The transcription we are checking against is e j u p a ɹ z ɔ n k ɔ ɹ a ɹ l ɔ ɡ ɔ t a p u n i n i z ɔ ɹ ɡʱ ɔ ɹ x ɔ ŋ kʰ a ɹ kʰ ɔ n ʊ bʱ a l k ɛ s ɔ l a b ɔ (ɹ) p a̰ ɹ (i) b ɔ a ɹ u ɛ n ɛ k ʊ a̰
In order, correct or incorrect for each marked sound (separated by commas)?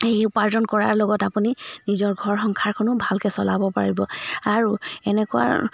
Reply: incorrect, correct